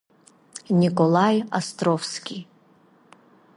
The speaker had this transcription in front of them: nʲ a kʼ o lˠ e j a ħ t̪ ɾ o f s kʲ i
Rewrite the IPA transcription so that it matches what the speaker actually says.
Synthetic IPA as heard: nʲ i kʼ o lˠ a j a s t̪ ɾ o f s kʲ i

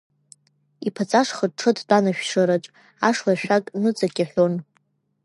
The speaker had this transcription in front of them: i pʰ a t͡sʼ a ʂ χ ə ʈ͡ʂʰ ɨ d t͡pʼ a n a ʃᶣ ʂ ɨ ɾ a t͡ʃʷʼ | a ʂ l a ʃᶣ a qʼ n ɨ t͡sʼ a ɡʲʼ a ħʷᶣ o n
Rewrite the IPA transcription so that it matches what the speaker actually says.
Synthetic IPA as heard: i pʰ a t͡sʼ a ʂ χ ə ʈ͡ʂʰ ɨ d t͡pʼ a n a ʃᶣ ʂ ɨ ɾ a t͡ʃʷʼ | a ʂ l a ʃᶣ a kʼ n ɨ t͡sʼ a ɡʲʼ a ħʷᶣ o n

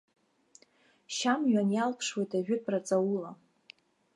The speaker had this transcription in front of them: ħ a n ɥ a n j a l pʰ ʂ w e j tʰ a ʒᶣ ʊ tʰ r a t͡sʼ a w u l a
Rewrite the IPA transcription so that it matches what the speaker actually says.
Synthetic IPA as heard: ʃ a m ɥ a n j a l pʰ ʂ w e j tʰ a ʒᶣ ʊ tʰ r a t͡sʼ a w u l a

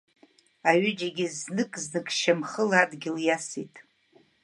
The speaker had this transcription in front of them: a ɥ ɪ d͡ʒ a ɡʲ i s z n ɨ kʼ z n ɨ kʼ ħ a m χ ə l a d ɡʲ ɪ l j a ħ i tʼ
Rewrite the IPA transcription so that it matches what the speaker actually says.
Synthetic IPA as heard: a ɥ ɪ d͡ʒ a ɡʲ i z n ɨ kʼ z n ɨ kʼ ʃ a m χ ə l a d ɡʲ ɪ l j a s i tʼ

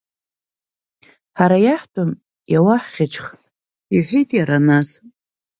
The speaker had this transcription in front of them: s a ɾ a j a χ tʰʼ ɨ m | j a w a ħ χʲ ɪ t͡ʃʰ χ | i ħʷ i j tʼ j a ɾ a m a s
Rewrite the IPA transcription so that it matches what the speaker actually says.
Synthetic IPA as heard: ħ a ɾ a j a ħ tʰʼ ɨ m | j a w a ħ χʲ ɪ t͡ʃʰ χ | i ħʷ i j tʼ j a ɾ a n a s

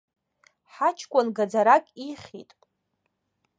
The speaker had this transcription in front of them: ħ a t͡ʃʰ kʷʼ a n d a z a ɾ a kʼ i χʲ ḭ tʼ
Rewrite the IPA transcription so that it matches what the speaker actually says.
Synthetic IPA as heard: ħ a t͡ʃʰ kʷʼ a n ɡ a d͡z a ɾ a kʼ i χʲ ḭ tʼ

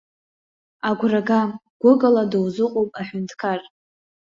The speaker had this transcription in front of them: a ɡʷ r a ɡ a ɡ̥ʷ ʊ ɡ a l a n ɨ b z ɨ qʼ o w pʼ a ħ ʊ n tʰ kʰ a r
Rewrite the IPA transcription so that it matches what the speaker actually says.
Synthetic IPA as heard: a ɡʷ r a ɡ a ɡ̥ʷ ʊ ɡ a l a d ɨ w z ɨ qʼ o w pʼ a ħ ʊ n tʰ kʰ a r

